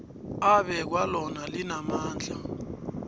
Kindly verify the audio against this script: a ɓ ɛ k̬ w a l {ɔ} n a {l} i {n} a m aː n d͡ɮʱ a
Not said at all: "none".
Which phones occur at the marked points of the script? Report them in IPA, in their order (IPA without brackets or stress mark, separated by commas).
ɔ, l, n